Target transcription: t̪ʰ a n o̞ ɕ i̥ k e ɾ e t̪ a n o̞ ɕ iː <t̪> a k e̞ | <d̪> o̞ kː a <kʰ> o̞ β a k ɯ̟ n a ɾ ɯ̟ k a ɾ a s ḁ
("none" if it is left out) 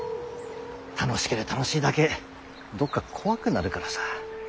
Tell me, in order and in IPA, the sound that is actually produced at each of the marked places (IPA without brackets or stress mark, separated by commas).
d̪, d̪, kʰ